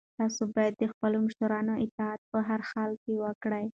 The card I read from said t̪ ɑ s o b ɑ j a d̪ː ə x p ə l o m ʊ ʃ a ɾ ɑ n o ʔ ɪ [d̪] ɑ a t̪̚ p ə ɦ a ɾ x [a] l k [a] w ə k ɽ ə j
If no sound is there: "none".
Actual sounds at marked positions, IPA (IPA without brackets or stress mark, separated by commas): t̪, ɑ, e